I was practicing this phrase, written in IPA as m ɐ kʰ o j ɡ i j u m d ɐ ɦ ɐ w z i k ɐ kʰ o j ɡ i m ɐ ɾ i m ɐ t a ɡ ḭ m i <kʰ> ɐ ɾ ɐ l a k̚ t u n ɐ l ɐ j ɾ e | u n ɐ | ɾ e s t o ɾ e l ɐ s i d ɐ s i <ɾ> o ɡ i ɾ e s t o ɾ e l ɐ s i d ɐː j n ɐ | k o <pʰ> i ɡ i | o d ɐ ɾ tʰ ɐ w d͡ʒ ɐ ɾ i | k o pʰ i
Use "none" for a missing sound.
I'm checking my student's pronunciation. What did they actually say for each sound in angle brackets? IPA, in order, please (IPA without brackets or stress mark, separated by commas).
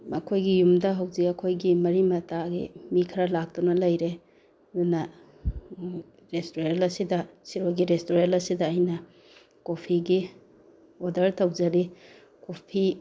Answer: kʰ, ɾ, pʰ